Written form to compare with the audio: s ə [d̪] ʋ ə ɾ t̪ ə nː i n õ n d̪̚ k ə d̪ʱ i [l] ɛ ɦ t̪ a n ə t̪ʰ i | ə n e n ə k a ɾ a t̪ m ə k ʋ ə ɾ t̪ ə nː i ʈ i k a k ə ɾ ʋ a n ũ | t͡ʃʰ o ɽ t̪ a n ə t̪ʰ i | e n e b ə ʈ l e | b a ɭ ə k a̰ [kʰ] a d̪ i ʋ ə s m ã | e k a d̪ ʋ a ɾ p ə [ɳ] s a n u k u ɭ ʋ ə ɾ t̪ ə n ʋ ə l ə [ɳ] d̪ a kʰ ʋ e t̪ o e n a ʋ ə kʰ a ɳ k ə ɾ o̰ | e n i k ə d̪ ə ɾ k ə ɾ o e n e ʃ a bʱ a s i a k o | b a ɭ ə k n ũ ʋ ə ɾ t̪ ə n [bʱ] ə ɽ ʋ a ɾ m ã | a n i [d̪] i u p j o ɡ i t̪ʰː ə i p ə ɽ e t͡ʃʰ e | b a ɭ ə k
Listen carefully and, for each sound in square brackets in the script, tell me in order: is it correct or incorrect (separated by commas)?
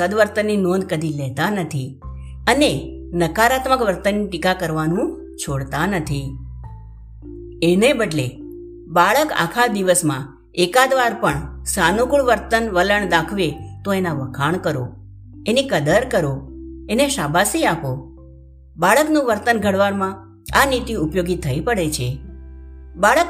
correct, correct, correct, correct, correct, incorrect, incorrect